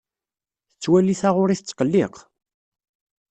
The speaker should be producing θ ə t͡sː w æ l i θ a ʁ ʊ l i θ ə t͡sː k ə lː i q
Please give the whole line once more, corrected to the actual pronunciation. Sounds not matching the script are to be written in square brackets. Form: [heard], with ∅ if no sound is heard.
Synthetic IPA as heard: θ ə t͡sː w æ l i θ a ʁ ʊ [ɾ] i θ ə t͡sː [q] ə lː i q